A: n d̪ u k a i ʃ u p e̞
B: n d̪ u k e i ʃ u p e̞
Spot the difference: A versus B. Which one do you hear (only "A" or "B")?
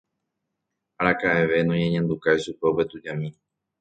A